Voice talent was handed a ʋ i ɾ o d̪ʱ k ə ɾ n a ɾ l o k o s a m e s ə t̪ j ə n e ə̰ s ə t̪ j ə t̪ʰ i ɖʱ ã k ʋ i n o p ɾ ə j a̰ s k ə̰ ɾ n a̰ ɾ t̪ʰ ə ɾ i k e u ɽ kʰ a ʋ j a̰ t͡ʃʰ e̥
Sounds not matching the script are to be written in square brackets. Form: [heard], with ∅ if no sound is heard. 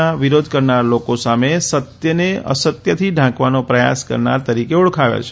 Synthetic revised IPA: a ʋ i ɾ o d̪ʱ k ə ɾ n a ɾ l o k o s a m e s ə t̪ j ə n e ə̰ s ə t̪ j ə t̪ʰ i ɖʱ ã k ʋ [a] n o p ɾ ə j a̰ s k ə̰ ɾ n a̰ ɾ [t̪] ə ɾ i k e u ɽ kʰ a ʋ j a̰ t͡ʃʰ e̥